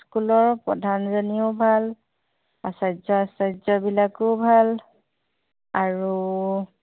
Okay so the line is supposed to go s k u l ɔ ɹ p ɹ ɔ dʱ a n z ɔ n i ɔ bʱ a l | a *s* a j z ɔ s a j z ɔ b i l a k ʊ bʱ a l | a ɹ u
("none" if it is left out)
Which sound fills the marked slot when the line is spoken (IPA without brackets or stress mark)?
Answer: s